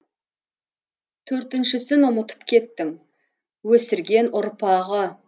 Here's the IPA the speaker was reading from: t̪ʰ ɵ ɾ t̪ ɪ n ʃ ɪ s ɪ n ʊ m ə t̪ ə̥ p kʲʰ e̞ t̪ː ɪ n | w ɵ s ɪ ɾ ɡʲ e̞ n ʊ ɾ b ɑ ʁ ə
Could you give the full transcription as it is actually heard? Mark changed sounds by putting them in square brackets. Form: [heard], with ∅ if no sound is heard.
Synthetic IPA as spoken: t̪ʰ ɵ ɾ t̪ ɪ n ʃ ɪ s ɪ n ʊ m ə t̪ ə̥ p kʲʰ e̞ t̪ː ɪ [ŋ] | w ɵ s ɪ ɾ ɡʲ e̞ n ʊ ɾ [p] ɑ ʁ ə